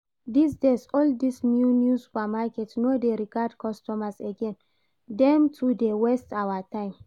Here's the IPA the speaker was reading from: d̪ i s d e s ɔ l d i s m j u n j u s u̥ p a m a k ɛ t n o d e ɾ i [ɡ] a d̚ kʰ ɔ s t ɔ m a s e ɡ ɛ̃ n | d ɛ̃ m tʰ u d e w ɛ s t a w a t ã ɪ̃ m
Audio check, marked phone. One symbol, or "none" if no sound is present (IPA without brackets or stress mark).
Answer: ɡ